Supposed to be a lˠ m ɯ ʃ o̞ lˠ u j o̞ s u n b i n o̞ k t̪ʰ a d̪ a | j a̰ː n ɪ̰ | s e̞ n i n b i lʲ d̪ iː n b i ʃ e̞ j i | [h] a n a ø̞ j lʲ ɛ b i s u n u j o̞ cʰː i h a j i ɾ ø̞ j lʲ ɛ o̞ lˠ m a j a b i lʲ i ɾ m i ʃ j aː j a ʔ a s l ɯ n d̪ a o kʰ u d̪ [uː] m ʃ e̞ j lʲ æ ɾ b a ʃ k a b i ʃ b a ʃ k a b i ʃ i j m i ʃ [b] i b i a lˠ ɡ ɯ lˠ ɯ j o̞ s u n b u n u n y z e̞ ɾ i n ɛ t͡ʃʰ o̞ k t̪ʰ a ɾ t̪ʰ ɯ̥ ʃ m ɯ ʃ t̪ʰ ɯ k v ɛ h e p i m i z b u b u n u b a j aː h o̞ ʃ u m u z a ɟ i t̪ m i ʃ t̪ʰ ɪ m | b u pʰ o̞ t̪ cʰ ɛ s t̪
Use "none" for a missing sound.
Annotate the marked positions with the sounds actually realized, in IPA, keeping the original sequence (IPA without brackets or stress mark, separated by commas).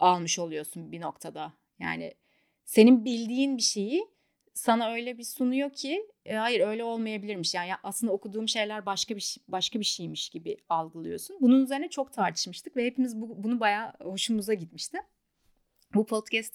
s, uː, ɟ